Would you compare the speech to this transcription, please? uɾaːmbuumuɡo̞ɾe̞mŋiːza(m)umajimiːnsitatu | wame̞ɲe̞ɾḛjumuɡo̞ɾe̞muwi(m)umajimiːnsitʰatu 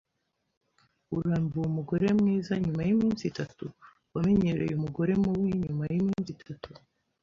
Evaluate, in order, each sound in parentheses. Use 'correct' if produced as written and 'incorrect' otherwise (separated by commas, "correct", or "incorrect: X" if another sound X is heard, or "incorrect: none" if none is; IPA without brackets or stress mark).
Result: incorrect: ɲ, incorrect: ɲ